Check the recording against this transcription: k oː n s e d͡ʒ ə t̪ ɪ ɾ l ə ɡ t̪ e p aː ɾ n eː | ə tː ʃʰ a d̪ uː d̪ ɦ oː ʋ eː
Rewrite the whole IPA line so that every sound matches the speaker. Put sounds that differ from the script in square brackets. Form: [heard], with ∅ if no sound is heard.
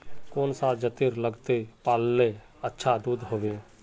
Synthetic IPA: k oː n s [a] d͡ʒ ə t̪ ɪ ɾ l ə ɡ t̪ e p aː [l] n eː | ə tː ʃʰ a d̪ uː d̪ ɦ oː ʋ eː